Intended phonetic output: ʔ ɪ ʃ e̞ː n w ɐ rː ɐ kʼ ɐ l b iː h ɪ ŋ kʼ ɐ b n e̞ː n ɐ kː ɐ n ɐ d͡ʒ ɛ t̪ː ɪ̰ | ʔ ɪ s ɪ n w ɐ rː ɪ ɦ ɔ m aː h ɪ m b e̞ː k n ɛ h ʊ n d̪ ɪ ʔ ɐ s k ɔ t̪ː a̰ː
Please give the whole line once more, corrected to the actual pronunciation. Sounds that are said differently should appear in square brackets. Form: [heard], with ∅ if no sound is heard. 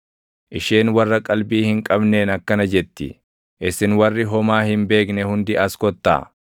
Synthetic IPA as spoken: ʔ ɪ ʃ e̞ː n w ɐ rː ɐ kʼ ɐ l b iː h ɪ ŋ kʼ ɐ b n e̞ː n ɐ kː ɐ n ɐ d͡ʒ ɛ t̪ː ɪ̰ | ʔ ɪ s ɪ n w ɐ rː ɪ ɦ ɔ m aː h ɪ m b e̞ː k n ɛ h ʊ n d̪ ɪ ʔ ɐ s k ɔ t̪ː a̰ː